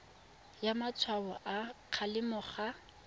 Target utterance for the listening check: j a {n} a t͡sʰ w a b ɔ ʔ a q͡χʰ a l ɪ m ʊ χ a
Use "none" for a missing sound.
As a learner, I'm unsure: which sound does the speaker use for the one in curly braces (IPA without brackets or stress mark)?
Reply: m